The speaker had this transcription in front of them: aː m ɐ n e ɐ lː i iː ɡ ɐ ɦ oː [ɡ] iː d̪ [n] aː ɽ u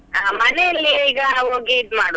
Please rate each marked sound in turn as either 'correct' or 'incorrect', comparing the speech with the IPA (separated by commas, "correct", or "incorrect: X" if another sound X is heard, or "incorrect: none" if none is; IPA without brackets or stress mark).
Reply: correct, incorrect: m